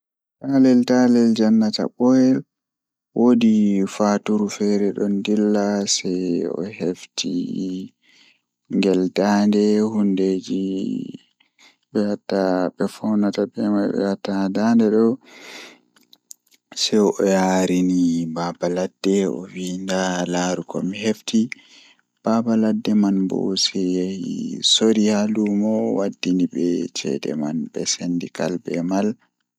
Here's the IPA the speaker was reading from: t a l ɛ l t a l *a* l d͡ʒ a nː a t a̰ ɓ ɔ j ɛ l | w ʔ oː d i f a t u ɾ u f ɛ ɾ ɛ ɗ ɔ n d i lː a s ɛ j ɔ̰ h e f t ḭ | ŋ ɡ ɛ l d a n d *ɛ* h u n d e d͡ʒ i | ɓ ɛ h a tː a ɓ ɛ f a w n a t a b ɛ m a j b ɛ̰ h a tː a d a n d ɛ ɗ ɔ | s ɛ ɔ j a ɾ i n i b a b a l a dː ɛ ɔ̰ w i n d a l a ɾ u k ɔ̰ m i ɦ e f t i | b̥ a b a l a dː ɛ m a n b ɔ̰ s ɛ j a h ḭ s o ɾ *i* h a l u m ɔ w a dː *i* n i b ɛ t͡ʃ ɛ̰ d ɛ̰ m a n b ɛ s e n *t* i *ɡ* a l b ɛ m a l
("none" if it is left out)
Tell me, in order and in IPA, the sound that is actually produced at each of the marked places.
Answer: ɛ, ɛ, i, i, d, k

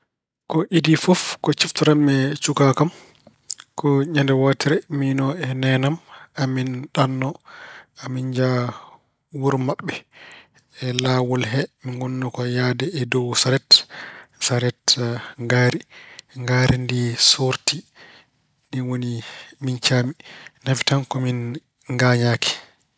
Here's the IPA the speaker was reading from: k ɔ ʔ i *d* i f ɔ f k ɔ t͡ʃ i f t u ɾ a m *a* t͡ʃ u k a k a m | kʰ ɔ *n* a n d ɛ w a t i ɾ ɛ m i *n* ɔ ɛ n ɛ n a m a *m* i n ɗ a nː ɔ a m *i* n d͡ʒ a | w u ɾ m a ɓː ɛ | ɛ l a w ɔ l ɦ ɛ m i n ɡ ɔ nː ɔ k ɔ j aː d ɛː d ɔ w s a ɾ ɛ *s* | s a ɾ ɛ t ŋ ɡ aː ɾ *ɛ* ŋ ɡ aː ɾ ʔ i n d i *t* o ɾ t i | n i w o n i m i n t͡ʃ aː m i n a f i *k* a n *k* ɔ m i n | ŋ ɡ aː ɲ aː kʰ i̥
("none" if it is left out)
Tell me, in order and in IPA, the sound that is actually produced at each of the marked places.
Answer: d, ɛ, ɲ, n, m, i, t, i, s, t, k

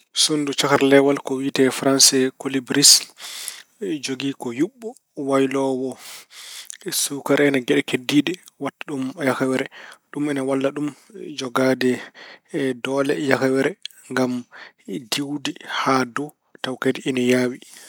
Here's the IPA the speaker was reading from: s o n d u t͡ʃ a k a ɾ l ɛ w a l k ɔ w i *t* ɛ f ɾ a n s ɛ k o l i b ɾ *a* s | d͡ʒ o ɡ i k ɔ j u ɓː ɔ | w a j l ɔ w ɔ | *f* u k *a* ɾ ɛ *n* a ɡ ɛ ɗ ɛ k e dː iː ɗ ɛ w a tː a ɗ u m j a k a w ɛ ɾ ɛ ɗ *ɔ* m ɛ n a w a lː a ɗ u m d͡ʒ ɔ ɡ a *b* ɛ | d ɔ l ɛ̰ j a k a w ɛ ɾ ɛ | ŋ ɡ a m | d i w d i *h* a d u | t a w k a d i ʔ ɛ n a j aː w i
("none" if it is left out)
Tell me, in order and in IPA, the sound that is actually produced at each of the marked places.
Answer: t, i, s, a, n, u, d, h

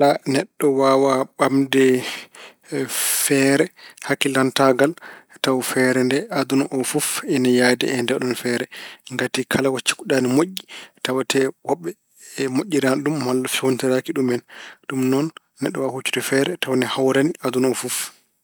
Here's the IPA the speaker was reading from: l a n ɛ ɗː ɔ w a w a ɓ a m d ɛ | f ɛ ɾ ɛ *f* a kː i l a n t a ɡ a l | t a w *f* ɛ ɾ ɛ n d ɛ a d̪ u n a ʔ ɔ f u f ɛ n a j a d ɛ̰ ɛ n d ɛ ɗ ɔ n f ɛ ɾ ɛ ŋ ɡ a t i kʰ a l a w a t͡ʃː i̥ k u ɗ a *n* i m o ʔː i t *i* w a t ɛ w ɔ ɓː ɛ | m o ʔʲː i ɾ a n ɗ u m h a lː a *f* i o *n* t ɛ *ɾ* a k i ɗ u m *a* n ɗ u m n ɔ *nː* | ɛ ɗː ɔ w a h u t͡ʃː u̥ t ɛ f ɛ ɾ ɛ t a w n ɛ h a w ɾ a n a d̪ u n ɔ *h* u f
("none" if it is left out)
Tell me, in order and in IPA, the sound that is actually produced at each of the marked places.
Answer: h, f, n, a, f, n, ɾ, ɛ, nː, f

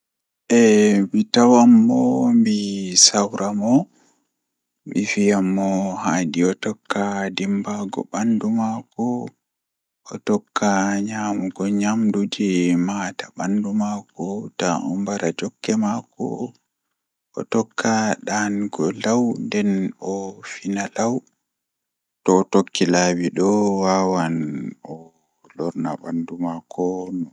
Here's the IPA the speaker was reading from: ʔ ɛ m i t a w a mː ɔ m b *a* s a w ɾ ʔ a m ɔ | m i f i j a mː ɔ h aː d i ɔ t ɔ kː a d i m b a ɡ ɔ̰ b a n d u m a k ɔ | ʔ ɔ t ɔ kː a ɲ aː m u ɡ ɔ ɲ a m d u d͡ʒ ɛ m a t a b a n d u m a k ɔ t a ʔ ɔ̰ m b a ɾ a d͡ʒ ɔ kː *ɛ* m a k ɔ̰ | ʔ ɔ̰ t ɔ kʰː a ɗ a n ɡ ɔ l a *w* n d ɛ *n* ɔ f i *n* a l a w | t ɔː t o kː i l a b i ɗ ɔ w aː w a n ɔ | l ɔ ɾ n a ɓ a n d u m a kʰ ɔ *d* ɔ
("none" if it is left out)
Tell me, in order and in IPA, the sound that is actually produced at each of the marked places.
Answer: i, ɛ, w, n, n, n

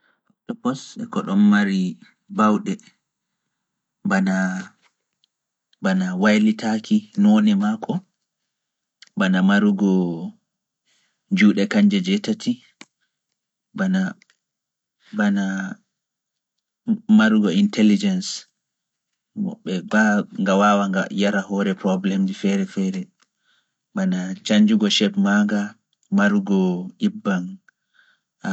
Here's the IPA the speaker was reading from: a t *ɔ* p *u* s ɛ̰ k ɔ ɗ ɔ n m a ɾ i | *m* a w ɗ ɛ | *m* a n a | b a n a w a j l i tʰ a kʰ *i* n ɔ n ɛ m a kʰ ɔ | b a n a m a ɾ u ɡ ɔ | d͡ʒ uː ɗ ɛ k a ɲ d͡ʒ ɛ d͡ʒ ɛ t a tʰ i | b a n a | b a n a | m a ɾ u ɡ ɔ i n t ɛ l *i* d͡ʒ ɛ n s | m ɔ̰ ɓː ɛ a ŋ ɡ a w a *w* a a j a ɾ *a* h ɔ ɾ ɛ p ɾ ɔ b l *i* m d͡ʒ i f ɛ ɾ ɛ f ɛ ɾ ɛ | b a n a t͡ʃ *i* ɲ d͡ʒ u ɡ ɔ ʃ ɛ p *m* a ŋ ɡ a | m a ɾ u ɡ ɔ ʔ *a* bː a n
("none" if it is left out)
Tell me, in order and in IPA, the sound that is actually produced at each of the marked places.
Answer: ɔ, ɔ, b, b, i, i, w, a, ɛ, a, m, i

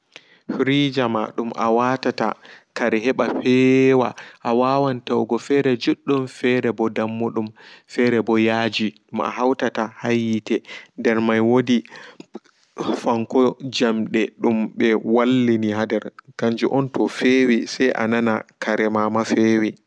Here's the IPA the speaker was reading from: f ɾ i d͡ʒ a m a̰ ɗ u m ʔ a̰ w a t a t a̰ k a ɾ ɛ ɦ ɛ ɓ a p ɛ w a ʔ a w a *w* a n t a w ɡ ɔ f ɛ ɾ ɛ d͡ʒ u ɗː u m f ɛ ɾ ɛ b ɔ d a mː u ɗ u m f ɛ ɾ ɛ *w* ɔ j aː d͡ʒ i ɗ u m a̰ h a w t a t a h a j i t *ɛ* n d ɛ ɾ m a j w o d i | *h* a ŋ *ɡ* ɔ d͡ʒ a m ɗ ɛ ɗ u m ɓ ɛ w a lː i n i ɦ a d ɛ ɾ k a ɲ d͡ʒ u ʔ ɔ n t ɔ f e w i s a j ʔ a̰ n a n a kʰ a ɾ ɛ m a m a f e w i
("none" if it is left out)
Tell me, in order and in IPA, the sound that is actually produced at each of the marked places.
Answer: w, b, ɛ, f, k

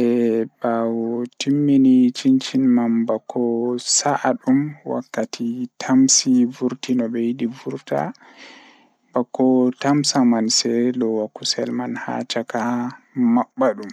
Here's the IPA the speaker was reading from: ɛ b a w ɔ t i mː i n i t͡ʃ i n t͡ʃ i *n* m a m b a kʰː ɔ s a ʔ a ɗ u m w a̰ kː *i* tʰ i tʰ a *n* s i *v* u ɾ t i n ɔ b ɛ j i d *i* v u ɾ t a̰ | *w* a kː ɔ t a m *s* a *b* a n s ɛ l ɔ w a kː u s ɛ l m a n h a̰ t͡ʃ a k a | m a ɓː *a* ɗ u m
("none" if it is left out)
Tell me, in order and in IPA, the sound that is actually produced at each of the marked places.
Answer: n, a, m, v, i, b, s, m, a

